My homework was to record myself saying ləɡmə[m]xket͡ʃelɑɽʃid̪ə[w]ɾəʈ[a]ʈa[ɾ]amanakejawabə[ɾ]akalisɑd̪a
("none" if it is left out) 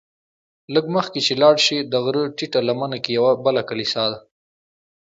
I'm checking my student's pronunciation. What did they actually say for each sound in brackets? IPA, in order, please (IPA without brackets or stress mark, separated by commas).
none, ɣ, i, l, l